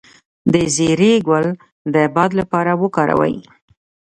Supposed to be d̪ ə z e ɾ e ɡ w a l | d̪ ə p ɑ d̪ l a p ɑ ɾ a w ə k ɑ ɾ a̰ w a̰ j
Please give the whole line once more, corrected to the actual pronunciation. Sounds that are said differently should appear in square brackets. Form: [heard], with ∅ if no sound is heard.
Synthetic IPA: d̪ ə z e ɾ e ɡ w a l | d̪ ə [b] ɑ d̪ l a p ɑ ɾ a w ə k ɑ ɾ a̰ w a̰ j